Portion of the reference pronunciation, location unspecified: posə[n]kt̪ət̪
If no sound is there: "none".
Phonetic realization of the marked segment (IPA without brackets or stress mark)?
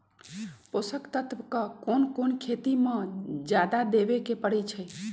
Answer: none